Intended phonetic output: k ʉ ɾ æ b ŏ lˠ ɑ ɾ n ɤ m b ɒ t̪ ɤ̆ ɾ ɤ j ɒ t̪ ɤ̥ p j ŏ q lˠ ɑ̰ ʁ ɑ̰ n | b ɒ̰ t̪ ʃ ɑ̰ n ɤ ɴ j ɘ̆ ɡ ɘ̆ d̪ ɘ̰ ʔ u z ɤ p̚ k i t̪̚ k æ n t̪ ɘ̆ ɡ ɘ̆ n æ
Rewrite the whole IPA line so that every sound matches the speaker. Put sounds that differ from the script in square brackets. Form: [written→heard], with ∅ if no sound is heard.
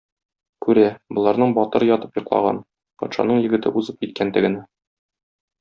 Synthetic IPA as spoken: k ʉ ɾ æ b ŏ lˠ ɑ ɾ n ɤ [m→ɴ] b ɒ t̪ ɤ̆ ɾ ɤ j ɒ t̪ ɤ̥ p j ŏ q lˠ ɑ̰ ʁ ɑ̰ n | [b→p] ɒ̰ t̪ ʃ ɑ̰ n ɤ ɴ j ɘ̆ ɡ ɘ̆ [d̪→t̪] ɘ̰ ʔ u z ɤ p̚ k i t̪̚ k æ n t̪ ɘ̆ ɡ ɘ̆ n æ